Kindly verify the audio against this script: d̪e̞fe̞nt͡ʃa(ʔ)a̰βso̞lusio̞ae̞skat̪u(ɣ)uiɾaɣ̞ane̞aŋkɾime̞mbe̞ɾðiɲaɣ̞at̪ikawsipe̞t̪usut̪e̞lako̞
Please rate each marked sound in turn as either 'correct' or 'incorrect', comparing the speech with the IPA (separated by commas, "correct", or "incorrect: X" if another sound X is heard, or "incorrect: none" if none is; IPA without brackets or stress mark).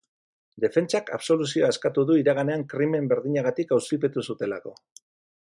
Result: incorrect: k, incorrect: ð